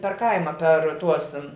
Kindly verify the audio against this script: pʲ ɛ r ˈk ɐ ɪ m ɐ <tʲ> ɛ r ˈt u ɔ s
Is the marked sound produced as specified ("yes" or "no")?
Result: no